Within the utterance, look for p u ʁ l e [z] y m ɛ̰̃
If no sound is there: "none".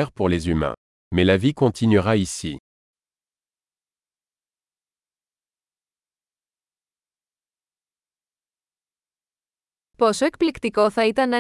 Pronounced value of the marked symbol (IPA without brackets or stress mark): z